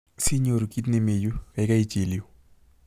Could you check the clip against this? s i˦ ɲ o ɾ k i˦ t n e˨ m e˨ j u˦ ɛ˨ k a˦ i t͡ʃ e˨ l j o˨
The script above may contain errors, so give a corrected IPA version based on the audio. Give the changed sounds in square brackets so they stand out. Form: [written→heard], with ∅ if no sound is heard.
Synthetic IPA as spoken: s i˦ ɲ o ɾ k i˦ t n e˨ m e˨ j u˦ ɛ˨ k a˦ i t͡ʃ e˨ l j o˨